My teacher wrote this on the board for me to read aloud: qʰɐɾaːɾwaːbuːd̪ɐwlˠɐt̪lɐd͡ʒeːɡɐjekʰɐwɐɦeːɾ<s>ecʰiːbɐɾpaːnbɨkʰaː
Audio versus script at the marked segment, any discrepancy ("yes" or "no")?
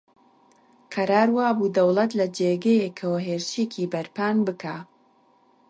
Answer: yes